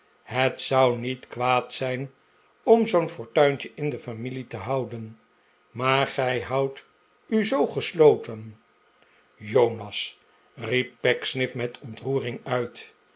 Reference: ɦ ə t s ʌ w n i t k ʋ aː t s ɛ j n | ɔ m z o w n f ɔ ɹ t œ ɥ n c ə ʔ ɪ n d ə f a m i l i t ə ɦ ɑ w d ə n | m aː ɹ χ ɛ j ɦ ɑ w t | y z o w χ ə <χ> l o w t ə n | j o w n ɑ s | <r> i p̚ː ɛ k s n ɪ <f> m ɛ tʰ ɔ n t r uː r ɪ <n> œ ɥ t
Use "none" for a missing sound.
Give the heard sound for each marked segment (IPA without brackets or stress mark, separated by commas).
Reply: s, r, f, ŋ